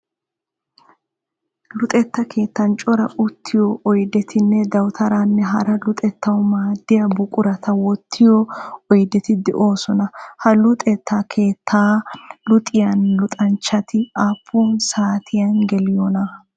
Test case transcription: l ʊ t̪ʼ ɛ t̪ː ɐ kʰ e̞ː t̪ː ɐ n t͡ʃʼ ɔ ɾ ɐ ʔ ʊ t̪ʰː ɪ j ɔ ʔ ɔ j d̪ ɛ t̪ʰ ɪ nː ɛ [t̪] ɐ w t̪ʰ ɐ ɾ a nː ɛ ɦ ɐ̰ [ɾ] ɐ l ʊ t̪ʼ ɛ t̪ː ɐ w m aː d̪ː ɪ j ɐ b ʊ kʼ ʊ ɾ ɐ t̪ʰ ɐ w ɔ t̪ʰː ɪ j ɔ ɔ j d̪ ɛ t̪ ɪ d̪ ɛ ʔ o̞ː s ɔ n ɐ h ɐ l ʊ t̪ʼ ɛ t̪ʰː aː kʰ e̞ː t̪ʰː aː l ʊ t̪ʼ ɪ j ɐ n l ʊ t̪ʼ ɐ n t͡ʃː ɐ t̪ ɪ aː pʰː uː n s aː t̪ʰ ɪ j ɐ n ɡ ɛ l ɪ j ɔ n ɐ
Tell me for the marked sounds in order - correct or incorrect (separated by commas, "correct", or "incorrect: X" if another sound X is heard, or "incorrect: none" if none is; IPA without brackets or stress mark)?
incorrect: d̪, correct